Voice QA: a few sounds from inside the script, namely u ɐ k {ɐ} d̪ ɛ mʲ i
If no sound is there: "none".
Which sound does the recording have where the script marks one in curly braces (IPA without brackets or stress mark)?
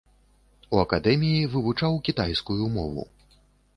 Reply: a